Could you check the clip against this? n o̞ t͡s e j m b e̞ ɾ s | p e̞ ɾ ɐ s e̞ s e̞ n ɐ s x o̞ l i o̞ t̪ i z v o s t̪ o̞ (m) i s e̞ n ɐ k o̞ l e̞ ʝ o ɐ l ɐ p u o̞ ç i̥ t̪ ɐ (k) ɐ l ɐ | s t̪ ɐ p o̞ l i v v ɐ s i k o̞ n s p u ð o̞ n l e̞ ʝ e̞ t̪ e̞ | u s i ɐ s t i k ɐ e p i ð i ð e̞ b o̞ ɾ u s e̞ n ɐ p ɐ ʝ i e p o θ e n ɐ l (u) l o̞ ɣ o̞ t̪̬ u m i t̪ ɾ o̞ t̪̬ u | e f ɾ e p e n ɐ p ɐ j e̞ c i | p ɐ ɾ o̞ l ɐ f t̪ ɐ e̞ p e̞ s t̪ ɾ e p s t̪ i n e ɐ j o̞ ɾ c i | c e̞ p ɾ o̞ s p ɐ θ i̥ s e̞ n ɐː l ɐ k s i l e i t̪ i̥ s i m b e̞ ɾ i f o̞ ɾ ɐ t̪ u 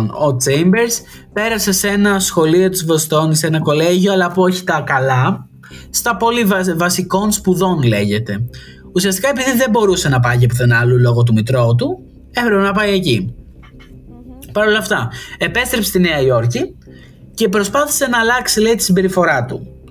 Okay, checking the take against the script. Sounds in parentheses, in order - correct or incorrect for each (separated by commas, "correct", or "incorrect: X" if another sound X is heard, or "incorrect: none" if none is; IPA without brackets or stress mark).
incorrect: n, correct, correct